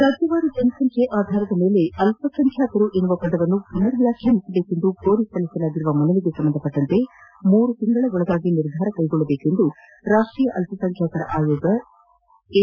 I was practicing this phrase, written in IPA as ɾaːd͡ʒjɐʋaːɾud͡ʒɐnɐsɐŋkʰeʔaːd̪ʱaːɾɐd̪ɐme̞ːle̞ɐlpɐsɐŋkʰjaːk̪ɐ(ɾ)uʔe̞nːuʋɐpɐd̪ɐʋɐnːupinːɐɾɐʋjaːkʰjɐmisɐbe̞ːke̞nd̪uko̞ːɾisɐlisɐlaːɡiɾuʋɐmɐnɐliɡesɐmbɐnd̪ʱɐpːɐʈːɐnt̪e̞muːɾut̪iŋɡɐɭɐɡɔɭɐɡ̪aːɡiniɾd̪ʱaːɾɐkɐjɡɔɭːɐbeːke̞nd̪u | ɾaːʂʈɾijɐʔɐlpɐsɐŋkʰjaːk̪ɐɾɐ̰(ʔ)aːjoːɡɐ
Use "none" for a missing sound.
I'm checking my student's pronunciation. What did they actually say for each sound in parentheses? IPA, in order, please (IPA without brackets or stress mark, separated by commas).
ɾ, ʔ